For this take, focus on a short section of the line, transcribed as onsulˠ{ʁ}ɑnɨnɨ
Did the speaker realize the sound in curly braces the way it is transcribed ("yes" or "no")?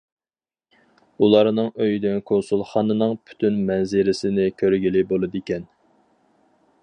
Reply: no